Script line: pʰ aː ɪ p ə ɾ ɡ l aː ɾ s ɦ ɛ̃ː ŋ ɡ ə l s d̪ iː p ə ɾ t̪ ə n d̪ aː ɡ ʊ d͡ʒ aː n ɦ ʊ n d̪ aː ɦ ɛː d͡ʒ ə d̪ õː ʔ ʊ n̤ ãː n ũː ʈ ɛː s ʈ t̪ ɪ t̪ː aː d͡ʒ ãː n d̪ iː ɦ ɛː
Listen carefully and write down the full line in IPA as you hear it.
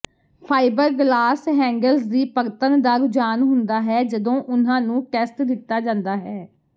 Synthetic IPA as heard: pʰ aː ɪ b ə ɾ ɡ l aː s ɦ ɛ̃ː ŋ ɡ ə l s d̪ iː p ə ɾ t̪ ə n d̪ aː ɡ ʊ d͡ʒ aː n ɦ ʊ n d̪ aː ɦ ɛː d͡ʒ ə d̪ õː ʔ ʊ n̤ ãː n ũː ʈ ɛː s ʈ d̪ ɪ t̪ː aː d͡ʒ ãː n d̪ aː ɦ ɛː

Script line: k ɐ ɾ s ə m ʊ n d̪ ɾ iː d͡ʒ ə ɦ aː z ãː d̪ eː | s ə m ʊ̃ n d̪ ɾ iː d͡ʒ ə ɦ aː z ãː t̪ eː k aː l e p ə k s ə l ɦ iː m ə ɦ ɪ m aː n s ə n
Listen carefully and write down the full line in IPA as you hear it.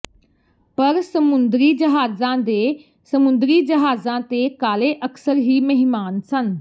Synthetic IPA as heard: p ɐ ɾ s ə m ʊ n d̪ ɾ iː d͡ʒ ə ɦ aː z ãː d̪ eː | s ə m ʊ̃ n d̪ ɾ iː d͡ʒ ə ɦ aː z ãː t̪ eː k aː l e ʔ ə k s ə ɾ ɦ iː m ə ɦ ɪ m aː n s ə n

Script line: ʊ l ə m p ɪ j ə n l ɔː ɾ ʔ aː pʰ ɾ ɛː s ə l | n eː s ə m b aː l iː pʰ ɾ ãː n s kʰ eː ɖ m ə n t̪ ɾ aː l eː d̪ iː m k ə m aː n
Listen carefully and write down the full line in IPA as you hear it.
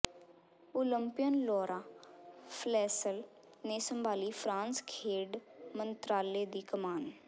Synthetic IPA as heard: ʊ l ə m p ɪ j ə n l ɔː ɾ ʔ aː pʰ l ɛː s ə l | n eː s ə m b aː l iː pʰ ɾ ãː n s kʰ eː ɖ m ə n t̪ ɾ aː l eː d̪ iː k ə m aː n

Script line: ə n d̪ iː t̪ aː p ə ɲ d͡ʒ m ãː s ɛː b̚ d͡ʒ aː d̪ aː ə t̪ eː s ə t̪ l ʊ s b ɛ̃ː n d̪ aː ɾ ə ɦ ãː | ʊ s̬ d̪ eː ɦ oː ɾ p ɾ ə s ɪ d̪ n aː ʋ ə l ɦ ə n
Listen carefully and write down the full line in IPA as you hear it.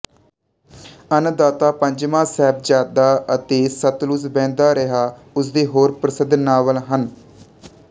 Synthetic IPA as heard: ə n d̪ aː t̪ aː p ə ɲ d͡ʒ m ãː s ɛː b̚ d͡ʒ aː d̪ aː ə t̪ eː s ə t̪ l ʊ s b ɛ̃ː n d̪ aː ɾ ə ɦ aː | ʊ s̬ d̪ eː ɦ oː ɾ p ɾ ə s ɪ d̪ n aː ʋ ə l ɦ ə n

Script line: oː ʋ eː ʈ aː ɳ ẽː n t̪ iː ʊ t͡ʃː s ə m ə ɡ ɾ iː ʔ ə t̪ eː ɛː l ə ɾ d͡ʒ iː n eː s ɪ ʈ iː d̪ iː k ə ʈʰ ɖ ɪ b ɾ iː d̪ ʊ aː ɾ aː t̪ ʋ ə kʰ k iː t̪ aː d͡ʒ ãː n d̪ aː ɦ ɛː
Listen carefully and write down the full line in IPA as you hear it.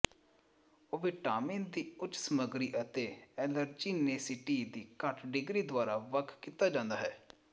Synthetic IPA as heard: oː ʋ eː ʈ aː m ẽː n d̪ iː ʊ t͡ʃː s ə m ə ɡ ɾ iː ʔ ə t̪ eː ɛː l ə ɾ d͡ʒ iː n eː s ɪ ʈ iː d̪ iː k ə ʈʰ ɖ ɪ ɡ ɾ iː d̪ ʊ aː ɾ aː ʋ ə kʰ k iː t̪ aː d͡ʒ ãː n d̪ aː ɦ ɛː

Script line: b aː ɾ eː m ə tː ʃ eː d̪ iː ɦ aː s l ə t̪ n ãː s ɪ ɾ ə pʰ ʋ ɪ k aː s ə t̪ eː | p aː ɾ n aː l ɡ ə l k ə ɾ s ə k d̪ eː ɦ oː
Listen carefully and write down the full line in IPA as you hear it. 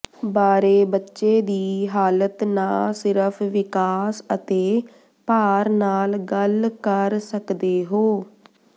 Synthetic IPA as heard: b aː ɾ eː b ə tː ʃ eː d̪ iː ɦ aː l ə t̪ n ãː s ɪ ɾ ə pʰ ʋ ɪ k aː s ə t̪ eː | p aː ɾ n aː l ɡ ə l k ə ɾ s ə k d̪ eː ɦ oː

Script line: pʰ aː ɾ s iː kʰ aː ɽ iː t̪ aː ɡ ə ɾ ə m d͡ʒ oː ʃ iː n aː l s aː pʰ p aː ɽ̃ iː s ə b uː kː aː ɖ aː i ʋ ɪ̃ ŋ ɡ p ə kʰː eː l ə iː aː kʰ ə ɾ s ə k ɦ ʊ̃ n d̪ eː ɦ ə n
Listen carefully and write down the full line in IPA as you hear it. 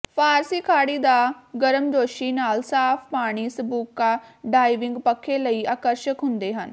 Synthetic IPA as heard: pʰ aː ɾ s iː kʰ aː ɽ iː d̪ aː ɡ ə ɾ ə m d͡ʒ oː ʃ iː n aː l s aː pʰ p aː ɽ̃ iː s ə b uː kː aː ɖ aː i ʋ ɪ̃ ŋ ɡ p ə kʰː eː l ə iː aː k ə ɾ ʃ ə k ɦ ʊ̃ n d̪ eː ɦ ə n

